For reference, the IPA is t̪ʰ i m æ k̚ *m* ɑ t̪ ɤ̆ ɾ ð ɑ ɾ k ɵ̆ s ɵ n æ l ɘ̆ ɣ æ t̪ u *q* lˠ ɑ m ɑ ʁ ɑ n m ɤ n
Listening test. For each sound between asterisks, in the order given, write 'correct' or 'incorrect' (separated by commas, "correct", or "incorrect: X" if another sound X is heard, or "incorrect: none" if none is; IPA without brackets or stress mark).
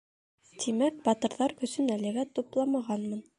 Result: incorrect: b, incorrect: p